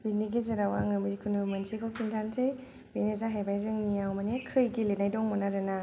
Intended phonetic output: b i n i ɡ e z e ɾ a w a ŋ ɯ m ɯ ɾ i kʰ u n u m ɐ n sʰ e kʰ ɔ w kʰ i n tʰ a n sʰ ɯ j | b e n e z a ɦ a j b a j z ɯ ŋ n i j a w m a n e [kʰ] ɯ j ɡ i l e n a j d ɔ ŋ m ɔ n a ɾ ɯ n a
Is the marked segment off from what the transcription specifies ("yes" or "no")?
no